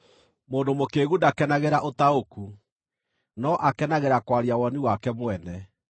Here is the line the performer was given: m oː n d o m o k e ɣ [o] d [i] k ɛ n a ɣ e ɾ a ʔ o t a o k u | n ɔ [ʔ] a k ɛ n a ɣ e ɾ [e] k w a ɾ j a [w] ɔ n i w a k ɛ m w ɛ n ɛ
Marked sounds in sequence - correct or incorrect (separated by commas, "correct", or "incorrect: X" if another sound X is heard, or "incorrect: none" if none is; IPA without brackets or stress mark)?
incorrect: u, incorrect: a, correct, incorrect: a, correct